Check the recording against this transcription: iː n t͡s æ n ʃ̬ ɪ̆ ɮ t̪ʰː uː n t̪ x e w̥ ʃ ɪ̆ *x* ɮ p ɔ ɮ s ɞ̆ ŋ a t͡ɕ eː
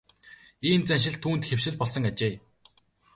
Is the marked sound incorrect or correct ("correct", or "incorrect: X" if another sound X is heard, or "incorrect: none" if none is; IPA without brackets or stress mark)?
incorrect: none